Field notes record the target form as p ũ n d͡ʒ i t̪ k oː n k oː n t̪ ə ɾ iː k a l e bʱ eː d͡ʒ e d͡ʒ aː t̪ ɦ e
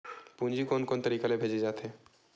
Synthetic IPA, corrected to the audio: p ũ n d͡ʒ i k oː n k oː n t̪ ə ɾ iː k a l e bʱ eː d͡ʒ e d͡ʒ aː t̪ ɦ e